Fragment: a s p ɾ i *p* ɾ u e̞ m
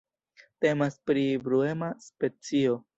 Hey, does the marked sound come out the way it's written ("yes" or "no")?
no